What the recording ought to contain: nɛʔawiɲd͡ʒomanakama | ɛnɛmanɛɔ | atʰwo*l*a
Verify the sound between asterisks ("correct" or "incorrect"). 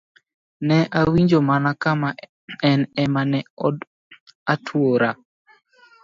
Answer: incorrect